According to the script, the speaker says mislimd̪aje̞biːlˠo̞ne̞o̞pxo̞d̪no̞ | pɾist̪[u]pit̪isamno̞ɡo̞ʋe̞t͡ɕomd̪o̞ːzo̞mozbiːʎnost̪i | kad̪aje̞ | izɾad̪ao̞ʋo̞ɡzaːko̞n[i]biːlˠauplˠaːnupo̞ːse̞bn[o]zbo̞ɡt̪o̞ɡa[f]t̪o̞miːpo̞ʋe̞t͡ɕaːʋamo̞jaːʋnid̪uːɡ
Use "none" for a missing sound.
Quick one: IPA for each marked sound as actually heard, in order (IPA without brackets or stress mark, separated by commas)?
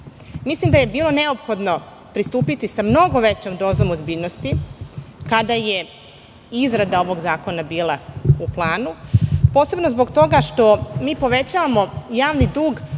uː, a, o, ʃ